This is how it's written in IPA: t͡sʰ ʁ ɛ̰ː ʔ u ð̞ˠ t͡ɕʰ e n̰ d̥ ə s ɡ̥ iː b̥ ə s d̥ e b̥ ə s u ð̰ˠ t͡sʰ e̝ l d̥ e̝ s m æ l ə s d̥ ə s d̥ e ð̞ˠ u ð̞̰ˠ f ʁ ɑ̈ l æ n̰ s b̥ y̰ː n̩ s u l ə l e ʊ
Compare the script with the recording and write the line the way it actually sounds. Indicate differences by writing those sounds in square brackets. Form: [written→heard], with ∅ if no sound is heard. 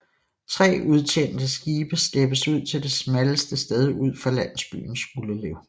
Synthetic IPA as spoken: t͡sʰ ʁ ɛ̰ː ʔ u ð̞ˠ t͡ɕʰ e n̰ d̥ ə s ɡ̥ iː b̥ ə s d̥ e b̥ ə s u ð̰ˠ t͡sʰ e̝ l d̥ e̝ s m æ l ə s d̥ ə s d̥ e ð̞ˠ u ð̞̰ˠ f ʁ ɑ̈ l æ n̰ s b̥ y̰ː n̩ s u l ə l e ʊ